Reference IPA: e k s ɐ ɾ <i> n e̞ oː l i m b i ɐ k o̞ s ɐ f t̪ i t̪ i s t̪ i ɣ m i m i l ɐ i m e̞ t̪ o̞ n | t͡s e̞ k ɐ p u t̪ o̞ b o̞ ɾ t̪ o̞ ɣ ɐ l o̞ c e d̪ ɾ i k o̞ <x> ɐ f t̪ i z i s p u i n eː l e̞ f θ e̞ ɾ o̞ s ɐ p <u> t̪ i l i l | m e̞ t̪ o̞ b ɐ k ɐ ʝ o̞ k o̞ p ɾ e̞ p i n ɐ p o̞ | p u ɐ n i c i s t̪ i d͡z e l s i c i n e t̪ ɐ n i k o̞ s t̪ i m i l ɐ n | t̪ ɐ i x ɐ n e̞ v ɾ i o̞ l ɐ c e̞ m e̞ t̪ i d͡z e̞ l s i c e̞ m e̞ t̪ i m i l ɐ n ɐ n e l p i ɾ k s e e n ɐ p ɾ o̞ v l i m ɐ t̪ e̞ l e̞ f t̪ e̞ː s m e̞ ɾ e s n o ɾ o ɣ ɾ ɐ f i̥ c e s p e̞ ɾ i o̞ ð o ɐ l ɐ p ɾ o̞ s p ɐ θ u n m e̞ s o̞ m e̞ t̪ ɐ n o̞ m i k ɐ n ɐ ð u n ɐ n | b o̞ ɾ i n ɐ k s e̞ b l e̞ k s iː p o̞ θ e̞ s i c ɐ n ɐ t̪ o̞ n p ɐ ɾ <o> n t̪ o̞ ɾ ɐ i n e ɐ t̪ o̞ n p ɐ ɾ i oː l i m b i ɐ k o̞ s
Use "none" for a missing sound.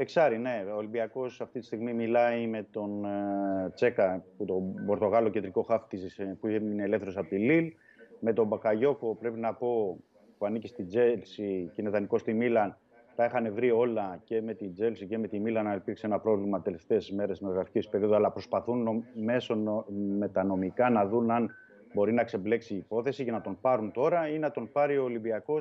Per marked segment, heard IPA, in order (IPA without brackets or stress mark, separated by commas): i, x, o, u